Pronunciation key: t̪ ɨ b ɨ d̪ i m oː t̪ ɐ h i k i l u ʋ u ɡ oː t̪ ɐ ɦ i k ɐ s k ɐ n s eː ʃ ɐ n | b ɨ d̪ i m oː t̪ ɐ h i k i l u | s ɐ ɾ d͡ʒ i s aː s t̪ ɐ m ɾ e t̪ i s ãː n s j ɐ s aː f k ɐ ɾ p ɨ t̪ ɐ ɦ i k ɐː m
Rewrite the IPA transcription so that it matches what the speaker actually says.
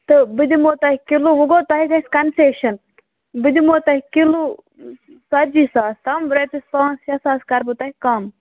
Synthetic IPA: t̪ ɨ b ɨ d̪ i m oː t̪ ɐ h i k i l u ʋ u ɡ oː t̪ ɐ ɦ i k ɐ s k ɐ n s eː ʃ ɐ n | b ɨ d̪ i m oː t̪ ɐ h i k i l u | s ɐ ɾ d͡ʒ i s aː s t̪ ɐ m ɾ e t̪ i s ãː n s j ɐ s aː s k ɐ ɾ b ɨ t̪ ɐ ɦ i k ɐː m

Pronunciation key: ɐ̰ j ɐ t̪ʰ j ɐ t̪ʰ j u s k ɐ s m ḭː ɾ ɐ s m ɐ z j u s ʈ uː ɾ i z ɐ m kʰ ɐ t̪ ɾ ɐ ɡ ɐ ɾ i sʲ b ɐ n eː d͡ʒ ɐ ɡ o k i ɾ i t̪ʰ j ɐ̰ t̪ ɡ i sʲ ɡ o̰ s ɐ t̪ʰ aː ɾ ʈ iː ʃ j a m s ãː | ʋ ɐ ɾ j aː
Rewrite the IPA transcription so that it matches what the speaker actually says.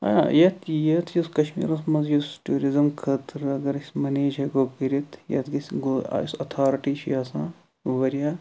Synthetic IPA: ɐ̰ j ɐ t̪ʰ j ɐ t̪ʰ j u s k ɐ ʃ m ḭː ɾ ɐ s m ɐ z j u s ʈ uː ɾ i z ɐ m kʰ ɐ t̪ ɾ ɐ ɡ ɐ ɾ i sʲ m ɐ n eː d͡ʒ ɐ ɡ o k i ɾ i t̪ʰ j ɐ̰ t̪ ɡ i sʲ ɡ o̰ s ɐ t̪ʰ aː ɾ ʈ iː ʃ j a s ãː | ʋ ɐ ɾ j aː

